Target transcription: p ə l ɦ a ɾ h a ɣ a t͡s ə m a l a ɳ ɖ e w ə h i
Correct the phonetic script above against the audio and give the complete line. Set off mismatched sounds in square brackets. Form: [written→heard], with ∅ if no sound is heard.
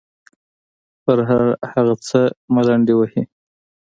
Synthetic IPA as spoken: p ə [l→ɾ] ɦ a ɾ h a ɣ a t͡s ə m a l a ɳ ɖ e w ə h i